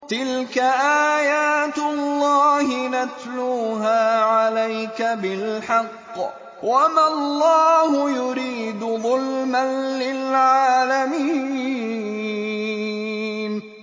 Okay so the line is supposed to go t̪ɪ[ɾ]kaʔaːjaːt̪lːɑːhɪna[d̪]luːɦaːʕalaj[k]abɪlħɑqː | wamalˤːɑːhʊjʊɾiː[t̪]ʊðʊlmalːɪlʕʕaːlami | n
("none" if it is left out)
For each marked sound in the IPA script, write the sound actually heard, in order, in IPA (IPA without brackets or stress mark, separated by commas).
l, t̪, k, d̪